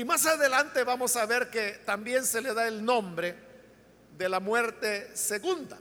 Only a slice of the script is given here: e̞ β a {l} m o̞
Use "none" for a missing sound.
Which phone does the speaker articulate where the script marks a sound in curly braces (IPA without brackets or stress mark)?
none